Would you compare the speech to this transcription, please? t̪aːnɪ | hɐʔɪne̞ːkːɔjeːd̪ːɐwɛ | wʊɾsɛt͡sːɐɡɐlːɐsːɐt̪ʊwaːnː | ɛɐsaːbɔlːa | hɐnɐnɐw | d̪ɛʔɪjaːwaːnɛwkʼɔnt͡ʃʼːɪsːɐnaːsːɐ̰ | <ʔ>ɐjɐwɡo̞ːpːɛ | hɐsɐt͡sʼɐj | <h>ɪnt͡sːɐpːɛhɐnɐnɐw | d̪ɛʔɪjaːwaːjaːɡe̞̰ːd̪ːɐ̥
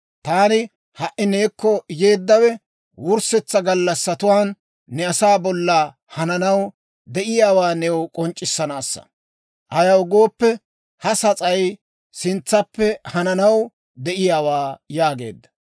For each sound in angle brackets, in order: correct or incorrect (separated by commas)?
correct, incorrect